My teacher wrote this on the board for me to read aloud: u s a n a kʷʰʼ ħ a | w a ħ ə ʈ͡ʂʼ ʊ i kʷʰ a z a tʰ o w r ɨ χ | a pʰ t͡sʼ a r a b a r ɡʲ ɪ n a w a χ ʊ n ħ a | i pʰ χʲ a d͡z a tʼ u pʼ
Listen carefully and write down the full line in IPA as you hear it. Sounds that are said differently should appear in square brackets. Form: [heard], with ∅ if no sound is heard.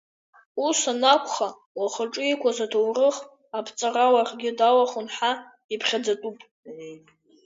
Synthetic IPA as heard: u s a n a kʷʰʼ [χ] a | w a [χ] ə ʈ͡ʂʼ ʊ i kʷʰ a z a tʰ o w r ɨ χ | a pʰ t͡sʼ a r a [w] a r ɡʲ ɪ [d] a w a χ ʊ n ħ a | i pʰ χʲ a d͡z a tʼ u pʼ

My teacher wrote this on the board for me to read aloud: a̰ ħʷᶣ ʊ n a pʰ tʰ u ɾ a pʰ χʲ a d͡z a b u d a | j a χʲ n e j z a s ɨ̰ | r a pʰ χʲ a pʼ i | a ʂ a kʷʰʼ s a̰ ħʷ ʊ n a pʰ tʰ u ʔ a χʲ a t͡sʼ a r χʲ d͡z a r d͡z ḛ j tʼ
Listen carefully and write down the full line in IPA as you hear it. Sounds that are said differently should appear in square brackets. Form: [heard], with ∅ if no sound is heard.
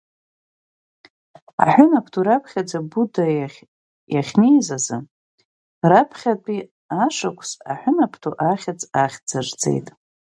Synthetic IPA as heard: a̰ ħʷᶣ ʊ n a pʰ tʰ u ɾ a pʰ χʲ a d͡z a b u d a | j a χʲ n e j z a [z] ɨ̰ | r a pʰ χʲ a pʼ i | a ʂ a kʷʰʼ s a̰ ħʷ ʊ n a pʰ tʰ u ʔ a χʲ a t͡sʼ a [∅] χʲ d͡z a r d͡z ḛ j tʼ

